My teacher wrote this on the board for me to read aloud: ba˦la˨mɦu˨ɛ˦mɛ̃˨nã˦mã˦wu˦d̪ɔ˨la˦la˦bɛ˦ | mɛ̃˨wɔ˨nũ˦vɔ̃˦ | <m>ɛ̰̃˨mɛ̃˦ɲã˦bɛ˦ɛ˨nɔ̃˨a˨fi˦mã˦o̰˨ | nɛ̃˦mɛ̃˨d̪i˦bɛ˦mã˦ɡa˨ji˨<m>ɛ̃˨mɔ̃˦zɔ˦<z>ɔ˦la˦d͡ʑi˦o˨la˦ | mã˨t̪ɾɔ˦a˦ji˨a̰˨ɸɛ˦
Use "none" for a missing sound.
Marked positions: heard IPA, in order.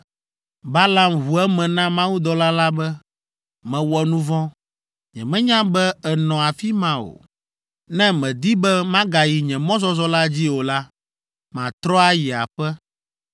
ɲ, ɲ, z

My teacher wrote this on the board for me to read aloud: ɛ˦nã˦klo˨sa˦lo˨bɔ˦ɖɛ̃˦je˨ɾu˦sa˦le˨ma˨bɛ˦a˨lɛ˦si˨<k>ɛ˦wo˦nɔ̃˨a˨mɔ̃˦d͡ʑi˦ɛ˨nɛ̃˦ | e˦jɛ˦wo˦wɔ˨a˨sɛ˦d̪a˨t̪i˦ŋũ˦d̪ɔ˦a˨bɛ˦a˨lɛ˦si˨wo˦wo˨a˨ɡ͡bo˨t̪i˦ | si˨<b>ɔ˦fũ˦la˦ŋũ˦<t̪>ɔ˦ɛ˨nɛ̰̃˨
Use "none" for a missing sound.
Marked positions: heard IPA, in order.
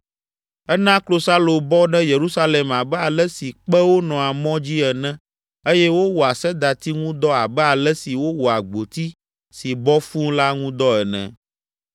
k͡p, b, d̪

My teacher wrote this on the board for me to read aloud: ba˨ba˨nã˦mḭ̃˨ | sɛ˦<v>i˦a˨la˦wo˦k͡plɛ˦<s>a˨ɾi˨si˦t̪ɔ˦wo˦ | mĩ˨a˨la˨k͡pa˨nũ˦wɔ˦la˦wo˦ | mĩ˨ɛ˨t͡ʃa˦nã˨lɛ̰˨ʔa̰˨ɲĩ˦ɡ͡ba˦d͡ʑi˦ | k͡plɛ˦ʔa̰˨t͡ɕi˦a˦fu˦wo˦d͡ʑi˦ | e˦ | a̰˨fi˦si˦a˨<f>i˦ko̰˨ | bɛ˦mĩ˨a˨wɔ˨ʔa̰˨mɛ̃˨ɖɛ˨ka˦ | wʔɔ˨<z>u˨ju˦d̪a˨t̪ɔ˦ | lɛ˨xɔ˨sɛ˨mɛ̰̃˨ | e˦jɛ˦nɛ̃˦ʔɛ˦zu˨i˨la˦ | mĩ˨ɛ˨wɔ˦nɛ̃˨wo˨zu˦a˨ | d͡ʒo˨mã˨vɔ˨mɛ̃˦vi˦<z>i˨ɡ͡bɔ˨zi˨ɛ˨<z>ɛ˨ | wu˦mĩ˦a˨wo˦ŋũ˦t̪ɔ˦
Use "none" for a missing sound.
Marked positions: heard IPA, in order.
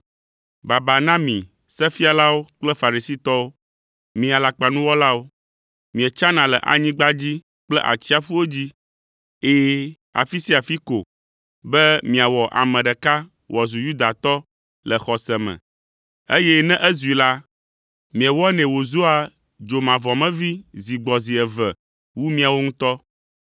f, f, f, z, z, v

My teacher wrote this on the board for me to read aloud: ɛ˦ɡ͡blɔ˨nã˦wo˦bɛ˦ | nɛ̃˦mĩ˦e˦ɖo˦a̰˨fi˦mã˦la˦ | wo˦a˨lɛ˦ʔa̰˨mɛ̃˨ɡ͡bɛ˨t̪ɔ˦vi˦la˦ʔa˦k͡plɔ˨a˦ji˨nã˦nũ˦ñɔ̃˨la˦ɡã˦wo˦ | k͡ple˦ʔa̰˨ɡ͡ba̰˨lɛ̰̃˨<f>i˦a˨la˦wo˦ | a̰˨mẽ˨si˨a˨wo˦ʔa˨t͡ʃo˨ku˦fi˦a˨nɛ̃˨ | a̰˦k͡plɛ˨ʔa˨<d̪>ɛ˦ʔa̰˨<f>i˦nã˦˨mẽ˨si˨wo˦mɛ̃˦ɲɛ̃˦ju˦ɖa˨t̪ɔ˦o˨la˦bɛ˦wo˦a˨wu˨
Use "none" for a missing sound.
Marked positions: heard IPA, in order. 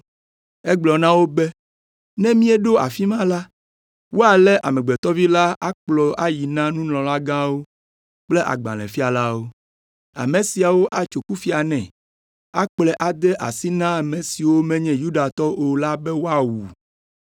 f, d̪, s

